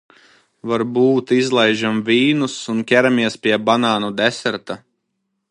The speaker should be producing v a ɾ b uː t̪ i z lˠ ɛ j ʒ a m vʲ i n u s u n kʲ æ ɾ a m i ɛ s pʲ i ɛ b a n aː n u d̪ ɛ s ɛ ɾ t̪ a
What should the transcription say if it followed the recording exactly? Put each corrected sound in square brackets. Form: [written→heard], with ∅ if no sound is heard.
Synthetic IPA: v a ɾ b uː t̪ i z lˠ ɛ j ʒ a m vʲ [i→iː] n u s u n kʲ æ ɾ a m i ɛ s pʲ i ɛ b a n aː n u d̪ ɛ s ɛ ɾ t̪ a